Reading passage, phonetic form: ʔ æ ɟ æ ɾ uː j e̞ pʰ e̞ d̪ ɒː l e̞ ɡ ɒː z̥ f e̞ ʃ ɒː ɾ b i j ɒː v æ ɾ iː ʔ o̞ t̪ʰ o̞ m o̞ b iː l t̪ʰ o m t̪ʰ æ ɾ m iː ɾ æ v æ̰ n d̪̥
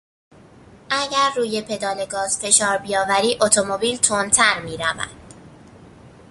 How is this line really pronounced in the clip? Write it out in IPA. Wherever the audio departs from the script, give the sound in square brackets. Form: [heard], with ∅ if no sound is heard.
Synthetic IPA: ʔ æ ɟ æ [ɾː] uː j e̞ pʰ e̞ d̪ ɒː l e̞ ɡ ɒː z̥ f e̞ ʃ ɒː ɾ b i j ɒː v æ ɾ iː ʔ o̞ t̪ʰ o̞ m o̞ b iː l t̪ʰ o [n] t̪ʰ æ ɾ m iː ɾ æ v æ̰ n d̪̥